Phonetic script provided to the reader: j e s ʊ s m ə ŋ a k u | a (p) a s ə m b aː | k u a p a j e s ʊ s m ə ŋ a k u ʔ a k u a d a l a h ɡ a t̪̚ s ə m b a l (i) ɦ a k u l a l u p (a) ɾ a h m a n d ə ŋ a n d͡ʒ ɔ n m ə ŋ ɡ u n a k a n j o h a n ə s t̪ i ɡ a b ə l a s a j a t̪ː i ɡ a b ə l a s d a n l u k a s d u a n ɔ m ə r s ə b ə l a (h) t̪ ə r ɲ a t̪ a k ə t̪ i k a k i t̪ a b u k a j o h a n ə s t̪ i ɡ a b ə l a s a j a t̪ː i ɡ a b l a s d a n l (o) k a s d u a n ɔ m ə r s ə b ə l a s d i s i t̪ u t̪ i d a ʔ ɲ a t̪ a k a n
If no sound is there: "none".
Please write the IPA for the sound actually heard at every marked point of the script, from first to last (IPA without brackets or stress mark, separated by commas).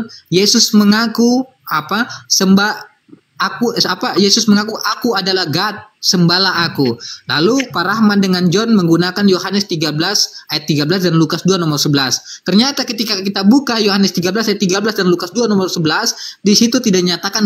p, a, a, s, u